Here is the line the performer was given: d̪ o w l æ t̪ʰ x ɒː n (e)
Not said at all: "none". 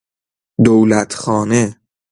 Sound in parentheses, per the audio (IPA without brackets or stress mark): e